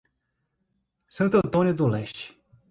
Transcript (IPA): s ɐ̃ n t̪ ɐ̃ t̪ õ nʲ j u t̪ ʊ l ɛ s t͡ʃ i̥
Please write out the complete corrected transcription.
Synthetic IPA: s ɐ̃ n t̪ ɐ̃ t̪ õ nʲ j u d̪ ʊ l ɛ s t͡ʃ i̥